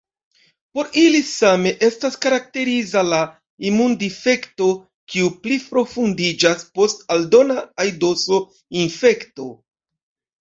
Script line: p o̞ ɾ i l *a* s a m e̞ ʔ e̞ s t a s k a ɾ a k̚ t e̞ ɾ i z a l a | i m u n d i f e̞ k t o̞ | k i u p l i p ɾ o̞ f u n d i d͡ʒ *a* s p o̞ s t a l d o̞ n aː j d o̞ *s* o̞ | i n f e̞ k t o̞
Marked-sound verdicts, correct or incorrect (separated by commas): incorrect, correct, correct